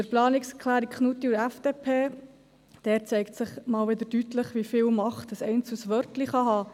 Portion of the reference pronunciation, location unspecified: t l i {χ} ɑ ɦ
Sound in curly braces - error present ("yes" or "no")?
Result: no